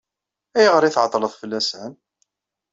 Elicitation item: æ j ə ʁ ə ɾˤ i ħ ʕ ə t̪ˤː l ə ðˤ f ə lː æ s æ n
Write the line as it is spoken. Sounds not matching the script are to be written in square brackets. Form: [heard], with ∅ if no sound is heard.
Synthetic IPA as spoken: æ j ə ʁ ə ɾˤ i [θ] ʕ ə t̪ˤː l ə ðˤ f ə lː æ s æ n